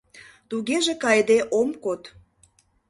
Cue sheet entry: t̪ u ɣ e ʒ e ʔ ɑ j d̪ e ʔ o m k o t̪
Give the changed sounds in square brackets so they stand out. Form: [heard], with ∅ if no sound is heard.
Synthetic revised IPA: t̪ u ɣ e ʒ e [k] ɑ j d̪ e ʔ o m k o t̪